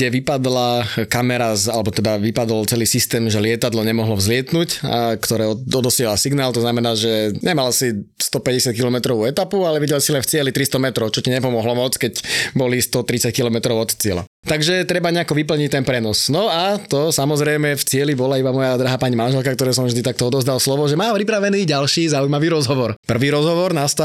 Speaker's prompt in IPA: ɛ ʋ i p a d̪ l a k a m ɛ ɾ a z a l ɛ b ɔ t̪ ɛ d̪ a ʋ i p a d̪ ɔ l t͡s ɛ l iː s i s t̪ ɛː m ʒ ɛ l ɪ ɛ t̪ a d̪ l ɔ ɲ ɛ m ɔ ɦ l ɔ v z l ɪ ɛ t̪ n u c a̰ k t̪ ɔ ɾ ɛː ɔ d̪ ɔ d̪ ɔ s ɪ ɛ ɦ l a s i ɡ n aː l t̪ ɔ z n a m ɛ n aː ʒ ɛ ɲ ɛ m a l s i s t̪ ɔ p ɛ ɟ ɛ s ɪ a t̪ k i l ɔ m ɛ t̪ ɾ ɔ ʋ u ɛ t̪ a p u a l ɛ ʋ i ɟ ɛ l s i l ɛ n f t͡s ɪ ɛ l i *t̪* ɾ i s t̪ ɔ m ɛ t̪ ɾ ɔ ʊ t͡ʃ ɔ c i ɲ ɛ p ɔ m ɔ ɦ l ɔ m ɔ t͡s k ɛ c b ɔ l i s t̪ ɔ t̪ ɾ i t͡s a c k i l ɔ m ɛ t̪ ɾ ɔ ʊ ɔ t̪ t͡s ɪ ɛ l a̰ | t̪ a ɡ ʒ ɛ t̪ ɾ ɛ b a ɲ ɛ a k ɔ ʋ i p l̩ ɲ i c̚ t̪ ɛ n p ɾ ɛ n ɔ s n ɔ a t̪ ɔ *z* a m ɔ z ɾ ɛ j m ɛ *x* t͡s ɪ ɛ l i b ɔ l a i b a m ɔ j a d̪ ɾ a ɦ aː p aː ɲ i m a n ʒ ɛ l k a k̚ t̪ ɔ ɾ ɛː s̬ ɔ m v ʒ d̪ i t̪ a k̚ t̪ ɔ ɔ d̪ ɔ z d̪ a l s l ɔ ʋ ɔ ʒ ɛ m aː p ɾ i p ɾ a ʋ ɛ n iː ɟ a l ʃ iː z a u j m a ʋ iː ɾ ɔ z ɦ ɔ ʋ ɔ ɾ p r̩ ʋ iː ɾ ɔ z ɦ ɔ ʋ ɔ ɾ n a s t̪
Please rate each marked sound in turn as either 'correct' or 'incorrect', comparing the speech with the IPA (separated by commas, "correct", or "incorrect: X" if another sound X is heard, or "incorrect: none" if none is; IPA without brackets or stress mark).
correct, incorrect: s, incorrect: f